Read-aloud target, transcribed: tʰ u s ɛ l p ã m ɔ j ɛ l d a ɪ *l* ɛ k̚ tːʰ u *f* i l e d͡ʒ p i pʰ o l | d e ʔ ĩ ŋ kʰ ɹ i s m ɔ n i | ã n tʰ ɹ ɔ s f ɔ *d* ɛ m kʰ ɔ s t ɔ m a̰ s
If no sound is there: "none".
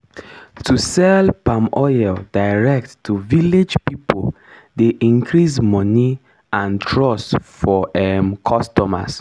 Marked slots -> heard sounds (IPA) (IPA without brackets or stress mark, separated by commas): ɹ, v, none